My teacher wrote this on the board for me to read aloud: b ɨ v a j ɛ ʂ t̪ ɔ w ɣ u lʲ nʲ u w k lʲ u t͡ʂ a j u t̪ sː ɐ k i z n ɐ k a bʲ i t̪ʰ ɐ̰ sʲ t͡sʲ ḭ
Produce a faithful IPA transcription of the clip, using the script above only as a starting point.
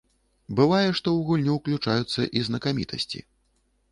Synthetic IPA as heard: b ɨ v a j ɛ ʂ t̪ ɔ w ɣ u lʲ nʲ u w k lʲ u t͡ʂ a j u t̪ sː ɐ ʔ i z n ɐ k a mʲ i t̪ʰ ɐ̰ sʲ t͡sʲ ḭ